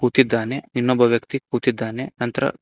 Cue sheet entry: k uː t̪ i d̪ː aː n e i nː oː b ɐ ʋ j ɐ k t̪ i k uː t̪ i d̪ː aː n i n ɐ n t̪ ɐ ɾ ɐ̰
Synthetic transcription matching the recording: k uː t̪ i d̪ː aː n e i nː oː b ɐ ʋ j ɐ k t̪ i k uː t̪ i d̪ː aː n e n ɐ n t̪ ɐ ɾ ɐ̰